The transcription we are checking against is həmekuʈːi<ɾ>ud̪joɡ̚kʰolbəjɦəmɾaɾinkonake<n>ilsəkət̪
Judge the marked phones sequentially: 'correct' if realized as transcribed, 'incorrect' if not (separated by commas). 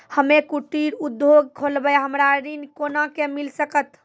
correct, incorrect